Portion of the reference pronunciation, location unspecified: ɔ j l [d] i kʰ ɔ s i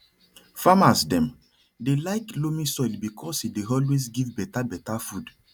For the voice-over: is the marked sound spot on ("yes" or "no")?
no